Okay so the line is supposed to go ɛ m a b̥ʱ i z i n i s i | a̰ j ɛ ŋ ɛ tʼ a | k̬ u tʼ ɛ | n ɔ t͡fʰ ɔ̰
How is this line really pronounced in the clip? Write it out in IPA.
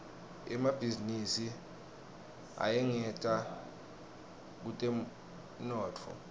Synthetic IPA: ɛ m a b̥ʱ i z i n i s i | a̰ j ɛ ŋ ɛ tʼ a | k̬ u tʼ ɛ | n ɔː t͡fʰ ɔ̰